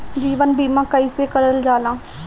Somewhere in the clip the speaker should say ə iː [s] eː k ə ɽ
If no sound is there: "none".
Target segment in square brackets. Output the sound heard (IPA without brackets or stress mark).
s